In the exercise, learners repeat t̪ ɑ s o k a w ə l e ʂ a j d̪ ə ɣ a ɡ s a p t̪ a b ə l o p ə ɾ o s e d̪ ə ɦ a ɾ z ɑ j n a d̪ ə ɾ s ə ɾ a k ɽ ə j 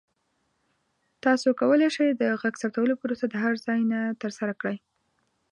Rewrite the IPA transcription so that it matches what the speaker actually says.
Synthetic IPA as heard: t̪ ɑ s o k a w ə l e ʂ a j d̪ ə ɣ a ɡ s a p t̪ a w ə l o p ə ɾ o s a d̪ ə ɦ a ɾ z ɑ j n a t̪ ə ɾ s a ɾ a k ɽ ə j